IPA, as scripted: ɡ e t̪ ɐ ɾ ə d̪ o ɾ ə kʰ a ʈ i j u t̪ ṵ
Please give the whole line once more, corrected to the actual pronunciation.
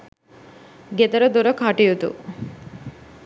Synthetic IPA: ɡ e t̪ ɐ ɾ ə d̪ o ɾ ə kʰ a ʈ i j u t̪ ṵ